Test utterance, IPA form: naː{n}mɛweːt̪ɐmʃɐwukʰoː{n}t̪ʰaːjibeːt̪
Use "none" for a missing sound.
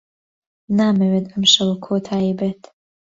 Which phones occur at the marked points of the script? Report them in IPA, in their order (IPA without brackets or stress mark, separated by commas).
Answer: none, none